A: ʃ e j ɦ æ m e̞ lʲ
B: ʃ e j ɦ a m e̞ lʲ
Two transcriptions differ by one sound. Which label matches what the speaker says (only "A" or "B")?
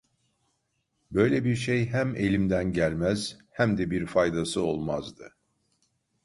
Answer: A